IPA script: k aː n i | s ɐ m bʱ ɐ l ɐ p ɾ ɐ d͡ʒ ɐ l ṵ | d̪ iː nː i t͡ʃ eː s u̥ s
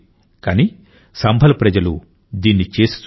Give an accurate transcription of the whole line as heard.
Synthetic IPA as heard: k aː n i | s ɐ m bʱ ɐ l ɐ p ɾ ɐ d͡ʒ ɐ l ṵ | d̪ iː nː i t͡ʃ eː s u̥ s

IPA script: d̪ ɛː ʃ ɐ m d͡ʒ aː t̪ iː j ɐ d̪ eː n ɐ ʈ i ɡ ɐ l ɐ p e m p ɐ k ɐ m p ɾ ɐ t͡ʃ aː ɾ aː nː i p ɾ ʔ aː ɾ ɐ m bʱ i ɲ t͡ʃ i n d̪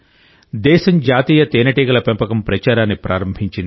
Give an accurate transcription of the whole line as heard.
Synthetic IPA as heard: d̪ ɛː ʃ ɐ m d͡ʒ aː t̪ iː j ɐ t̪ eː n ɐ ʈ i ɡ ɐ l ɐ p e m p ɐ k ɐ m p ɾ ɐ t͡ʃ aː ɾ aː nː i p ɾ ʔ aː ɾ ɐ m bʱ i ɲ t͡ʃ i n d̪

